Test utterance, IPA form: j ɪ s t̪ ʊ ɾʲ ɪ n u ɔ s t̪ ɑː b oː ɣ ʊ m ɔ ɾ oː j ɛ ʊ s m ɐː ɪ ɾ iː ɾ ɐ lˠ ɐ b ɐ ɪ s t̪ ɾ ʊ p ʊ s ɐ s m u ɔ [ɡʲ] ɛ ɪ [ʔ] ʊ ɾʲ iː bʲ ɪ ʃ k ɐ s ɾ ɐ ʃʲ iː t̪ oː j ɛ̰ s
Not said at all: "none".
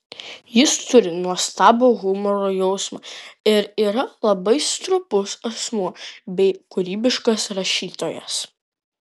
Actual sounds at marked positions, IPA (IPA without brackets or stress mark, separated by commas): bʲ, k